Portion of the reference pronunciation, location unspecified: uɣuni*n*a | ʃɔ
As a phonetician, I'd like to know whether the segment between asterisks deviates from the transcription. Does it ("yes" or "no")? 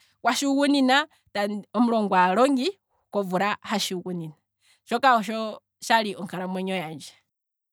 no